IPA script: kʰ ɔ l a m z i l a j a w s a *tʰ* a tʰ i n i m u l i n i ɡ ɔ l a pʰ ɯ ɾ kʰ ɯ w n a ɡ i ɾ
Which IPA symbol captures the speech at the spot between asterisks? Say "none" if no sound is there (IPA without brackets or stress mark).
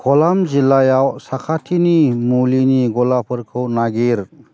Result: kʰ